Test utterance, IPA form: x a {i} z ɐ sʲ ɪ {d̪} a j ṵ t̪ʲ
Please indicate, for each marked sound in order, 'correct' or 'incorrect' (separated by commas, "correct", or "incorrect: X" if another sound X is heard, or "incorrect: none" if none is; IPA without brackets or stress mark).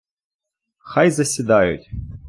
incorrect: j, correct